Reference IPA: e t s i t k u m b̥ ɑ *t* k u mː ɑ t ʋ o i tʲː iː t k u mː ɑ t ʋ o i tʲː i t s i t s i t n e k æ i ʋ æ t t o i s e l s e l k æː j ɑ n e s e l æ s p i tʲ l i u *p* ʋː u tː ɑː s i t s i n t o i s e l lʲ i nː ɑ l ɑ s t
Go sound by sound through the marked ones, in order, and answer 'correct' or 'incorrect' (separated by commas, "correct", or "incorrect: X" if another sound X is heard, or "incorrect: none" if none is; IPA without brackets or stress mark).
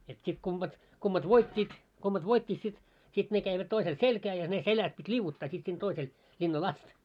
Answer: correct, incorrect: none